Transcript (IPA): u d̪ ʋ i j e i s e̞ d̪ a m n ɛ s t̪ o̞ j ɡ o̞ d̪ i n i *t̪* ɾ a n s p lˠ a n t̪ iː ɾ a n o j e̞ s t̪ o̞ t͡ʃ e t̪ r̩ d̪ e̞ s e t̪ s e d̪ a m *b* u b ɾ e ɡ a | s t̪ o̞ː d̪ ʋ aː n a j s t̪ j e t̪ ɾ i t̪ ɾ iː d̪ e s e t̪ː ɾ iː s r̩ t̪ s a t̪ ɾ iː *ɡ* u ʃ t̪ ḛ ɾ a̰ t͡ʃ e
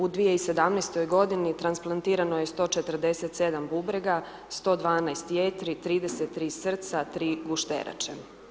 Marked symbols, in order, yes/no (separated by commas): yes, yes, yes